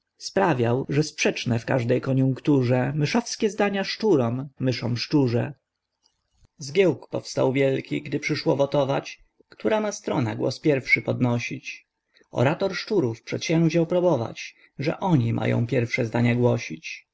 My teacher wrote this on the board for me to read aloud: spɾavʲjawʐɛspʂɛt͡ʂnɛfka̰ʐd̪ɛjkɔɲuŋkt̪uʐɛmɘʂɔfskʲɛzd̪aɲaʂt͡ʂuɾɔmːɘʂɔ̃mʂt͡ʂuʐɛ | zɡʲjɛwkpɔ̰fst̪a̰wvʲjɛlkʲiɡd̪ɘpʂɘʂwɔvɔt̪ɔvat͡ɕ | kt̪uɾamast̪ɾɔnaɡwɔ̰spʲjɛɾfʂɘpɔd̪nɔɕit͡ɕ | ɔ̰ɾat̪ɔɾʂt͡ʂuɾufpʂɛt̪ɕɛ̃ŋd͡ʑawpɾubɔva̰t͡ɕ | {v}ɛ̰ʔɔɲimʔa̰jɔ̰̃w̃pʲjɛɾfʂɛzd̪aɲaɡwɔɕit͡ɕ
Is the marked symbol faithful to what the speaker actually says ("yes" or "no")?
no